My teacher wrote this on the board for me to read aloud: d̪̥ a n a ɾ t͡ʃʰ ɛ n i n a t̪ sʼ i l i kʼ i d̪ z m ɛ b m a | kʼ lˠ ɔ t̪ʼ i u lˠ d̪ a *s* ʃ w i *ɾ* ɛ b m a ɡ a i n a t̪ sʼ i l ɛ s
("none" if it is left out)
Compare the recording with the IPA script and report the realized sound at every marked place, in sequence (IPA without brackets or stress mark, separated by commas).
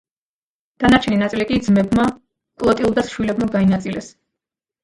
s, l